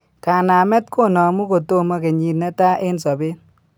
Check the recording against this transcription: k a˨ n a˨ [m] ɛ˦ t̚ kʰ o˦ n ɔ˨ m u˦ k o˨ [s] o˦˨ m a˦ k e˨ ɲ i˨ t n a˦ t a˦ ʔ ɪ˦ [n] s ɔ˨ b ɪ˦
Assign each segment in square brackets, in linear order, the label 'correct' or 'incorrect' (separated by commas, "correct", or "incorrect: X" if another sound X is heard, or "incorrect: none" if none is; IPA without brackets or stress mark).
correct, incorrect: t, correct